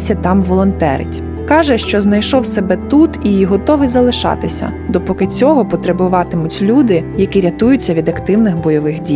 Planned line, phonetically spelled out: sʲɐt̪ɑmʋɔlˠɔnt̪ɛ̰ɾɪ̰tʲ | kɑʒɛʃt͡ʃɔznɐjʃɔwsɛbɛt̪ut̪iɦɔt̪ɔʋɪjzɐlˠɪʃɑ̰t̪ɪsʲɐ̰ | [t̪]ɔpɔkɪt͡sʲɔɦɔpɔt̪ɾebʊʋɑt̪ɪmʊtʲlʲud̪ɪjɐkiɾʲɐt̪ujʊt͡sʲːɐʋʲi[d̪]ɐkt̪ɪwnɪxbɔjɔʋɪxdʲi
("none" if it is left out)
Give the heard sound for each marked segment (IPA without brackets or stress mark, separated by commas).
d̪, d̪